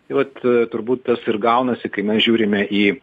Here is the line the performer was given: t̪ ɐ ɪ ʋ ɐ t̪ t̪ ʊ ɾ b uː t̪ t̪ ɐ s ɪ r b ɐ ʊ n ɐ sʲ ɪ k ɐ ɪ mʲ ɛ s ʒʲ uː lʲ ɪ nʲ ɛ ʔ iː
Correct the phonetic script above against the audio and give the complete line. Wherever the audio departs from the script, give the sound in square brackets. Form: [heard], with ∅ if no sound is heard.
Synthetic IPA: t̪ ɐ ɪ ʋ ɐ t̪ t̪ ʊ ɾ b uː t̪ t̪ ɐ s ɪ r [ɡ] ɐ ʊ n ɐ sʲ ɪ k ɐ ɪ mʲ ɛ s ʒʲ uː [ɾʲ] ɪ [mʲ] ɛ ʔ iː